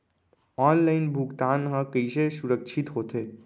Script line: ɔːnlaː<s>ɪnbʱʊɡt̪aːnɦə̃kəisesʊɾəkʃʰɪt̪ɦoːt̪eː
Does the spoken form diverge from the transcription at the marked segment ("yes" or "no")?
yes